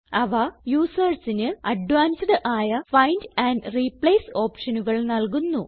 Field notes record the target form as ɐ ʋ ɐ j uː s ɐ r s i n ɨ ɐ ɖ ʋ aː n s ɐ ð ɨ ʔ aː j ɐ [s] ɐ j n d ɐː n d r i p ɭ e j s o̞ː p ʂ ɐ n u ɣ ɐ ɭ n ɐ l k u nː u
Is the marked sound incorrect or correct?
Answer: incorrect: f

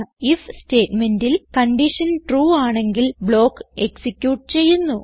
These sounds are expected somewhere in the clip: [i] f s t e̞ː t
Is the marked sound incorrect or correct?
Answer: correct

